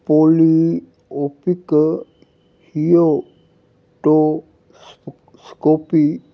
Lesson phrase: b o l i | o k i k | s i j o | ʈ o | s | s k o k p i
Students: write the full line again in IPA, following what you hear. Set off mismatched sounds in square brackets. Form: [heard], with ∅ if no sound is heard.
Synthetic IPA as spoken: [p] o l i | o [p] i k | [h] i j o | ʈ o | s | s k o [∅] p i